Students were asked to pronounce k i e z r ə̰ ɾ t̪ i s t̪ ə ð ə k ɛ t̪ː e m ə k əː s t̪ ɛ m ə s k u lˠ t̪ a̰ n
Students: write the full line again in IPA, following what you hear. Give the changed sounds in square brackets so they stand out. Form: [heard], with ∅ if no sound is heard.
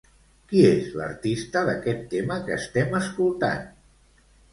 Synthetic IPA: k i e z [l] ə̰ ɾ t̪ i s t̪ ə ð ə k ɛ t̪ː e m ə k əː s t̪ ɛ m ə s k u lˠ t̪ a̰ n